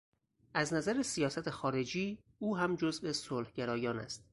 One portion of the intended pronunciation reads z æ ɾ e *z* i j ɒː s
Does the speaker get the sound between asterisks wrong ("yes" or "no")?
yes